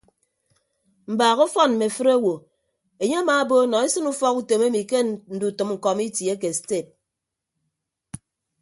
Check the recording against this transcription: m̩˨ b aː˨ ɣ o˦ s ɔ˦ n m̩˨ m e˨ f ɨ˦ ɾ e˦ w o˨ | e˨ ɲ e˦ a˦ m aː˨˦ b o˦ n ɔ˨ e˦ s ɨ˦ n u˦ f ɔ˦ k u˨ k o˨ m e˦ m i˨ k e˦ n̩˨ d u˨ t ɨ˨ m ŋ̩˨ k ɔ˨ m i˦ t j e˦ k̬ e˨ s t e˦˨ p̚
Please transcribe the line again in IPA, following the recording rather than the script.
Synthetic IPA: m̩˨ b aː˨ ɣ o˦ f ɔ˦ n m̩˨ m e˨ f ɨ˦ ɾ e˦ w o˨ | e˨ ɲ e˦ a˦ m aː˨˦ b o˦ n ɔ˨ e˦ s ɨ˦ n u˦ f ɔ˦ k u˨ t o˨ m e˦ m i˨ k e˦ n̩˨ d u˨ t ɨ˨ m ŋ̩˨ k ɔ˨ m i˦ t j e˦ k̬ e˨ s t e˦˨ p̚